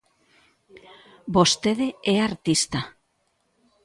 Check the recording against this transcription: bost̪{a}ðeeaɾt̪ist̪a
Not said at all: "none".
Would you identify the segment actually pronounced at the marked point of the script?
e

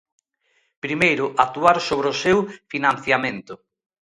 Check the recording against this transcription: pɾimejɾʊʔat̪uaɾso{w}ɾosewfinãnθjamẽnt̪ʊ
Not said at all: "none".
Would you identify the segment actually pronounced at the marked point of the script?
β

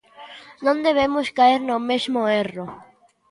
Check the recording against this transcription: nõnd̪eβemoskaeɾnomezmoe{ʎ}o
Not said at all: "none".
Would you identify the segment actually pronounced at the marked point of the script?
r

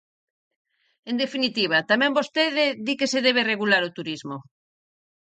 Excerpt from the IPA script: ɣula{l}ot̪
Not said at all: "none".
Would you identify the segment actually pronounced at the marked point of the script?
ɾ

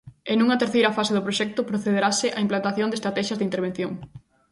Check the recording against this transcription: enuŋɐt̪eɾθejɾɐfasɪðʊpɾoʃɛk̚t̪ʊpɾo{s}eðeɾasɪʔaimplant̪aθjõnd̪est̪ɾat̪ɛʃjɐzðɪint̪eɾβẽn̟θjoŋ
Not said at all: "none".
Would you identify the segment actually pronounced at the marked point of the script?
θ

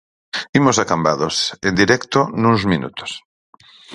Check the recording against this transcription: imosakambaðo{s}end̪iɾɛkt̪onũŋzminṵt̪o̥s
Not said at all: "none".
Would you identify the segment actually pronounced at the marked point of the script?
s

